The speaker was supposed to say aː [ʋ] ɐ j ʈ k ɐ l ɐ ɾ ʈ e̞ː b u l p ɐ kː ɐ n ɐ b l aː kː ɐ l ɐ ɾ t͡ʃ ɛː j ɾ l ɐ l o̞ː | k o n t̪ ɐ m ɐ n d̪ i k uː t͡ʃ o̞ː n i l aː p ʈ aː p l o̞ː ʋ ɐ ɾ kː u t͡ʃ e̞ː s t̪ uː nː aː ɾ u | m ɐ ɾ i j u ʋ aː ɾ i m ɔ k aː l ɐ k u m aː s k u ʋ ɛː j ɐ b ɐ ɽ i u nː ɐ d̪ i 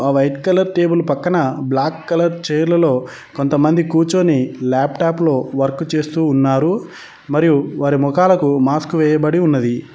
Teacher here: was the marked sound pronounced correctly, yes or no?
yes